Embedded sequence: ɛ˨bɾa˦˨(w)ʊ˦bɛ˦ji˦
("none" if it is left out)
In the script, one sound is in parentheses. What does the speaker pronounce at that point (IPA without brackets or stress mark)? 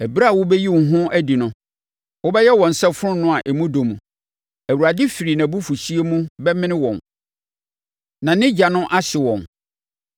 w